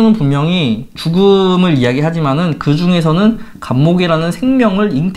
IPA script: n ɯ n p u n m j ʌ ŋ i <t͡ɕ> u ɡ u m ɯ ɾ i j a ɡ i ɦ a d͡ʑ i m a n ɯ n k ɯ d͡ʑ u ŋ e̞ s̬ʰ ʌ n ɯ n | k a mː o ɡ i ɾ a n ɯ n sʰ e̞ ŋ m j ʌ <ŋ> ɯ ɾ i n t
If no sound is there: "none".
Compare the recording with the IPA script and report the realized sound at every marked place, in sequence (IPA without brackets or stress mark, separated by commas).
t͡ɕ, ŋ